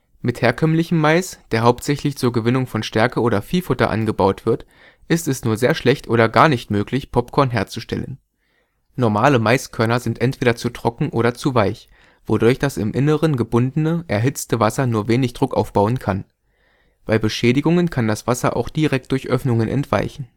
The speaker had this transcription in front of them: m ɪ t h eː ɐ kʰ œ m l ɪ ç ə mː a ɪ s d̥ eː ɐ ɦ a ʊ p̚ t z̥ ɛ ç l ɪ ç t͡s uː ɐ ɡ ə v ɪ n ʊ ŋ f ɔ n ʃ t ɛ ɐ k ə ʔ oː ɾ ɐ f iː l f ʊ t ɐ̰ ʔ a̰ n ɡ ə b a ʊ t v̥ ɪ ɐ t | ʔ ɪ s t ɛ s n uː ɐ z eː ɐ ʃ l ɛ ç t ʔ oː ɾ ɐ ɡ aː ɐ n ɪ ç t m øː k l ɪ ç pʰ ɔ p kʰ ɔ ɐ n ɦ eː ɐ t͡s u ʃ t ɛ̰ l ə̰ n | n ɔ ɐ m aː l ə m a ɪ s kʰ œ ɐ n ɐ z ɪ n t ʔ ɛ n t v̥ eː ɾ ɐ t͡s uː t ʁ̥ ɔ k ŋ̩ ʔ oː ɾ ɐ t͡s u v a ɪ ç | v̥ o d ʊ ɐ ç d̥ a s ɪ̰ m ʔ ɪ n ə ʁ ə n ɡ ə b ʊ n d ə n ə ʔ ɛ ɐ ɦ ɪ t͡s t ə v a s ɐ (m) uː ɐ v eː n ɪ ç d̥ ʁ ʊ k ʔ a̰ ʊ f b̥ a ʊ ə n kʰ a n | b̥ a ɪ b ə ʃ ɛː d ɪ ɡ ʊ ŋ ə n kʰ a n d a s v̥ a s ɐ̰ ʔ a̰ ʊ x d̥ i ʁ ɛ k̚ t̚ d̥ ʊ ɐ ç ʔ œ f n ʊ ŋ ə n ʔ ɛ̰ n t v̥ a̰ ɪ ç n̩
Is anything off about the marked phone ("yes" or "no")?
yes